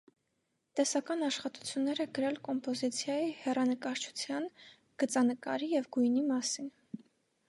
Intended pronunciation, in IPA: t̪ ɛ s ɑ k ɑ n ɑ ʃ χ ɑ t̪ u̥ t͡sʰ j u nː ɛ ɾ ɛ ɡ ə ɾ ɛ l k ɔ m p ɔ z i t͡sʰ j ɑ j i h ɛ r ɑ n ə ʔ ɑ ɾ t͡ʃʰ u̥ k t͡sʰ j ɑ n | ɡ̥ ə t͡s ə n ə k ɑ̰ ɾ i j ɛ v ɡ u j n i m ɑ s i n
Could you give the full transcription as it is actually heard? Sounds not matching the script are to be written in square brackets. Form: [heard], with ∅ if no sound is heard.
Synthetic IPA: t̪ ɛ s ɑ k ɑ n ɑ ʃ χ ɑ t̪ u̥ t͡sʰ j u nː ɛ ɾ ɛ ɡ ə ɾ ɛ l k ɔ m p ɔ z i t͡sʰ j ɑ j i h ɛ r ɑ n ə [k] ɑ ɾ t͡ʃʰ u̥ [∅] t͡sʰ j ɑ n | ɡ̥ ə t͡s [ɑ] n ə k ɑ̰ ɾ i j ɛ v ɡ u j n i m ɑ s i n

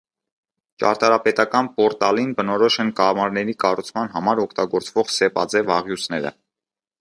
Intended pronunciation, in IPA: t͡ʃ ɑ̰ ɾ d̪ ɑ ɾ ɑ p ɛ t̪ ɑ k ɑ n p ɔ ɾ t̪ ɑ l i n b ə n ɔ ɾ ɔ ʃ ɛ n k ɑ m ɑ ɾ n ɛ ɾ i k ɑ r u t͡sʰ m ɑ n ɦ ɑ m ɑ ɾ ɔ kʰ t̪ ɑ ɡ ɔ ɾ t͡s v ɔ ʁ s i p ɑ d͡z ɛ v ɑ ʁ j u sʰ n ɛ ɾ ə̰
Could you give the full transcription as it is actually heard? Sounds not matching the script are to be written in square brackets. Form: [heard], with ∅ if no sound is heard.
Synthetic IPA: t͡ʃ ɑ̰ ɾ [t̪] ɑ ɾ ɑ p ɛ t̪ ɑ k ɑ n p ɔ ɾ t̪ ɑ l i n b ə n ɔ ɾ ɔ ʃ ɛ n k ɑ m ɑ ɾ n ɛ ɾ i k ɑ r u t͡sʰ m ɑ n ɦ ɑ m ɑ ɾ ɔ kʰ t̪ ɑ ɡ ɔ ɾ t͡s v ɔ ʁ s [ɛ] p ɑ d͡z ɛ v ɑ ʁ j u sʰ n ɛ ɾ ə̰

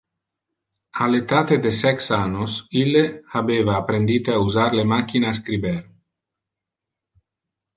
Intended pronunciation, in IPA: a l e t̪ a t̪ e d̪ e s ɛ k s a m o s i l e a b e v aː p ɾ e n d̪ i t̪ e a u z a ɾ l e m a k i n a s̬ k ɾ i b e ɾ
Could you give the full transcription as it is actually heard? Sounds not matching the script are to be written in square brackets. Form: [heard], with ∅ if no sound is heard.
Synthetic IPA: a l e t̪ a t̪ e d̪ e s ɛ k s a [n] o s i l e a b e v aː p ɾ e n d̪ i t̪ e a u z a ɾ l e m a k i n a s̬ k ɾ i b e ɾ

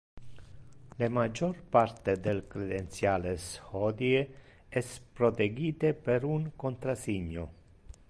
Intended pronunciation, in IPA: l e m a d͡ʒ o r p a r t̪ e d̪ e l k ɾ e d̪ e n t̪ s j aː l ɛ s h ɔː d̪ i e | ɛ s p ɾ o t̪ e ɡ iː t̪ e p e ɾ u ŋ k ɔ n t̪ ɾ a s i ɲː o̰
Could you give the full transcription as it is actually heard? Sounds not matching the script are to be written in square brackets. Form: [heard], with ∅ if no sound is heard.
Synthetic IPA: l e m a d͡ʒ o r p a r t̪ e d̪ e l k ɾ e d̪ e n t̪ s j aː l [e] s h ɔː d̪ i e | ɛ s p ɾ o t̪ e ɡ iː t̪ e p e ɾ u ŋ k [o] n t̪ ɾ a s i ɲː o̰

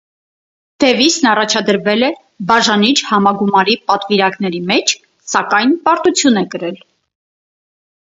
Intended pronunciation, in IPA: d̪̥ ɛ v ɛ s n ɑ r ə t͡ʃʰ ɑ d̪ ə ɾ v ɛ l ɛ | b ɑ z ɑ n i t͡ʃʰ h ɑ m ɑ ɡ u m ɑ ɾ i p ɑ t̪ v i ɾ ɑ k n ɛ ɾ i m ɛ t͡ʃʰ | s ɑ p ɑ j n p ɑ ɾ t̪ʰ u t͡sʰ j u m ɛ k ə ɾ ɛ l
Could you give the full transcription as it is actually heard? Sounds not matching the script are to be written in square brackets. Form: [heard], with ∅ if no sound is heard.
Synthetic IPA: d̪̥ ɛ v [i] s n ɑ r [ɑ] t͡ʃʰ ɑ d̪ ə ɾ v ɛ l ɛ | b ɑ [ʒ] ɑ n i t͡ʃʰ h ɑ m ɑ ɡ u m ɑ ɾ i p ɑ t̪ v i ɾ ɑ k n ɛ ɾ i m ɛ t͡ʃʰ | s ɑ [k] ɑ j n p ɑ ɾ [t̪] u t͡sʰ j u [n] ɛ k ə ɾ ɛ l

